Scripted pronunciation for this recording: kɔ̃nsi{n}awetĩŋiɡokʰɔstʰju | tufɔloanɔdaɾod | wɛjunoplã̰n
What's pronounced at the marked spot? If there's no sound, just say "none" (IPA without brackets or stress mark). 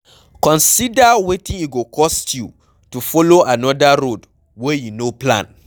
d